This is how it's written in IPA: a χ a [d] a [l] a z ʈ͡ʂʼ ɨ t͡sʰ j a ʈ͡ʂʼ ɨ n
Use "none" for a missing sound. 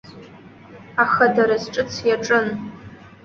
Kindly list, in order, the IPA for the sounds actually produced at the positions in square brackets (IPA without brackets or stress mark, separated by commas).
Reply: d, ɾ